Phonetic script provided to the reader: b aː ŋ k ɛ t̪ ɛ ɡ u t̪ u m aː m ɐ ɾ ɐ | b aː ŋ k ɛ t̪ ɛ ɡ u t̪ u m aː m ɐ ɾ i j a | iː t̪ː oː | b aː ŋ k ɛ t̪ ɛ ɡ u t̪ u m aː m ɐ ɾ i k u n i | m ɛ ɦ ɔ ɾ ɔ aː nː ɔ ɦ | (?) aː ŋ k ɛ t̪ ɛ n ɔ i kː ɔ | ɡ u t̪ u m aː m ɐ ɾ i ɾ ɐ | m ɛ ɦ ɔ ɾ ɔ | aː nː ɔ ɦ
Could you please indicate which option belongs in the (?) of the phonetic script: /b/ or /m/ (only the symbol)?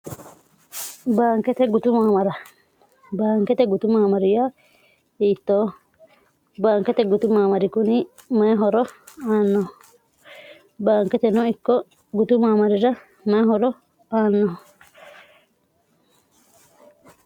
b